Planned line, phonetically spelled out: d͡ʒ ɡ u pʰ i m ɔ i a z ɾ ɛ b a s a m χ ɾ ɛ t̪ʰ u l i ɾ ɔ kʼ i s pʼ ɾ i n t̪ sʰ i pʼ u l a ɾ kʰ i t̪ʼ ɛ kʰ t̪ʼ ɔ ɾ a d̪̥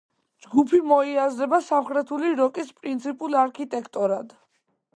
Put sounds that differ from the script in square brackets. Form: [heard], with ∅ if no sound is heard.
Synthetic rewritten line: d͡ʒ ɡ u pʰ i m ɔ i a z ɾ ɛ b a s a m χ ɾ ɛ t̪ʰ u l i ɾ ɔ kʼ i s pʼ ɾ i n t̪ sʰ i pʼ u l a ɾ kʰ i t̪ʼ ɛ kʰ t̪ʼ ɔ ɾ a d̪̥